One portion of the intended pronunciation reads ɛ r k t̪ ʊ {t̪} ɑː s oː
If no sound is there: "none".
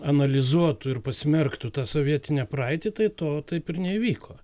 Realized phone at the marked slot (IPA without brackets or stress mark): t̪